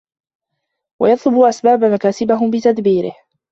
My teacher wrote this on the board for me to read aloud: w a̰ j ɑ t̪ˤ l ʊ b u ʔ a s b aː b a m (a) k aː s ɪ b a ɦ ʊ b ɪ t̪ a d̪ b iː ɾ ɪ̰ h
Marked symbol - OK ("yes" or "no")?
yes